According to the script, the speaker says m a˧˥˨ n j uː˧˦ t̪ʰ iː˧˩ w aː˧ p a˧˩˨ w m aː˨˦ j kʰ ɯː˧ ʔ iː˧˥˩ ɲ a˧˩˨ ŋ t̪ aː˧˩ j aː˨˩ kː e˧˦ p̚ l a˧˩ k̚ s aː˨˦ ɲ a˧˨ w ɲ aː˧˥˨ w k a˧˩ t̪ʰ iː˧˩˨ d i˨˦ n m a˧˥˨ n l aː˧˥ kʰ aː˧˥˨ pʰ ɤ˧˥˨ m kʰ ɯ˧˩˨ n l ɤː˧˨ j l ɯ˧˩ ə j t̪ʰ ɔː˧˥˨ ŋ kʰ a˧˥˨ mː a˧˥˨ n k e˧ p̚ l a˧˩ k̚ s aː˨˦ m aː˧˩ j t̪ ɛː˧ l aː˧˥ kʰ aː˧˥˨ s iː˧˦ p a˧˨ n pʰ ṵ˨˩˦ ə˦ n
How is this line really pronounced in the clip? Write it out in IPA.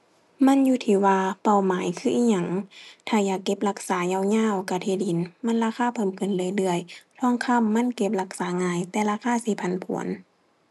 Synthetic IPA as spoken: m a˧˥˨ n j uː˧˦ t̪ʰ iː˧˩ w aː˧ p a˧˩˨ w m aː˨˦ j kʰ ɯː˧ ʔ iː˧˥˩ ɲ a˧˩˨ ŋ t̪ʰ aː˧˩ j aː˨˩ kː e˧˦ p̚ l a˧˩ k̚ s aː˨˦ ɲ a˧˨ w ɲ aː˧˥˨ w k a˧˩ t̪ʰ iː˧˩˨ d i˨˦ n m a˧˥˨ n l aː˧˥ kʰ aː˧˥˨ pʰ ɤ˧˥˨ m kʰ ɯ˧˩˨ n l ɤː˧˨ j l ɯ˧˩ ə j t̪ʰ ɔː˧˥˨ ŋ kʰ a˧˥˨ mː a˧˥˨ n k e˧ p̚ l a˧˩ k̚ s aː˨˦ ŋ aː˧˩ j t̪ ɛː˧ l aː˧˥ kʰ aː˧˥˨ s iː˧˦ pʰ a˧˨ n pʰ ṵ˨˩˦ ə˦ n